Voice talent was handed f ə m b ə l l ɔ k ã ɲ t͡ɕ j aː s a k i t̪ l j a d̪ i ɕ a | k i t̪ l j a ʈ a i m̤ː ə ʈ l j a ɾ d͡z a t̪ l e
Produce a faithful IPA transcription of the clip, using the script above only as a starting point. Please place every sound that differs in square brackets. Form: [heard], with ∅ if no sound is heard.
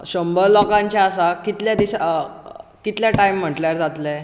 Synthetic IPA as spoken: [ɕ] ə m b ə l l ɔ k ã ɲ t͡ɕ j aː s a k i t̪ l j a d̪ i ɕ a | k i t̪ l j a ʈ a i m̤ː ə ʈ l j a ɾ d͡z a t̪ l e